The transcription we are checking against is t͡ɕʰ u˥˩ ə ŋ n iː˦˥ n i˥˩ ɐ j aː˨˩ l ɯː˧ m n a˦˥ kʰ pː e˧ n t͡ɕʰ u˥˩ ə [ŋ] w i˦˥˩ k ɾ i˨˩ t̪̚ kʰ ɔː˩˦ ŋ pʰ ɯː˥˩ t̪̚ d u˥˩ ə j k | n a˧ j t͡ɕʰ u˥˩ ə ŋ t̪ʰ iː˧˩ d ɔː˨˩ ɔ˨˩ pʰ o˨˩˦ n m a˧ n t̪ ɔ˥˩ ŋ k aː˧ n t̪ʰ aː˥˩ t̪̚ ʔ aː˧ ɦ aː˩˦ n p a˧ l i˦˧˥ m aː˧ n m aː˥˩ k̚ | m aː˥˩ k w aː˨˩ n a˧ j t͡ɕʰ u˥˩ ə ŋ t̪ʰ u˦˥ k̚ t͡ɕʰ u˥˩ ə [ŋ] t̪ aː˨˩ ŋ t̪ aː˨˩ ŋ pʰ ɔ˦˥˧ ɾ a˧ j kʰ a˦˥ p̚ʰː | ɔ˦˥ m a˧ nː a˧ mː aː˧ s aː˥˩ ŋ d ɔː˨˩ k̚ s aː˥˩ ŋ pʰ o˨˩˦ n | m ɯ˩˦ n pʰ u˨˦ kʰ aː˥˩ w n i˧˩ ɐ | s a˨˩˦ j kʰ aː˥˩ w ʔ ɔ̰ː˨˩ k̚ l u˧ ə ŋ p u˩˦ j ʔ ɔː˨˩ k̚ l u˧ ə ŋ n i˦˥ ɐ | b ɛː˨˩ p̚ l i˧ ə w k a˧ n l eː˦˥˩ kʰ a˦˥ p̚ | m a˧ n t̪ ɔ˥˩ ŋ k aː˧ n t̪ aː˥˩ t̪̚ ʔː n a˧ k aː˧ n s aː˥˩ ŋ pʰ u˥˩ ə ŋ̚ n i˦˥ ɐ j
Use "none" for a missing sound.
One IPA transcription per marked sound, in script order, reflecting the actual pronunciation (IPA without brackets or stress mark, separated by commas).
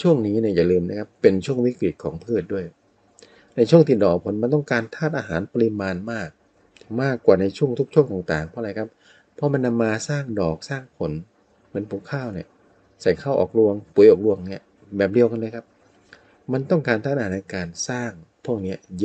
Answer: ŋ, ŋ